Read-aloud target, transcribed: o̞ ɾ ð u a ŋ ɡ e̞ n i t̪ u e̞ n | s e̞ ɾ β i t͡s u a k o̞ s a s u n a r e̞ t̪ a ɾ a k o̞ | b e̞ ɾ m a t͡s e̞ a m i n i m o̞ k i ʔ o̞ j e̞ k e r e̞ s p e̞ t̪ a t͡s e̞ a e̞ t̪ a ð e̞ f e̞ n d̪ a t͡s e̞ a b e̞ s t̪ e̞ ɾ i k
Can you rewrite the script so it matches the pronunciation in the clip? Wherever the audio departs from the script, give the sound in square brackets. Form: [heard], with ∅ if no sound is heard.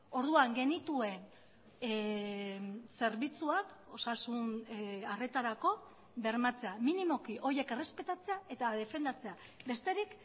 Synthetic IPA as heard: o̞ ɾ ð u a ŋ ɡ e̞ n i t̪ u e̞ n | s e̞ ɾ β i t͡s u a k o̞ s a s u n a r e̞ t̪ a ɾ a k o̞ | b e̞ ɾ m a t͡s e̞ a m i n i m o̞ k i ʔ o̞ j e̞ k e r e̞ s p e̞ t̪ a t͡s e̞ a e̞ t̪ a ð e̞ f e̞ n d̪ a t͡s e̞ a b e̞ s t̪ e̞ ɾ i k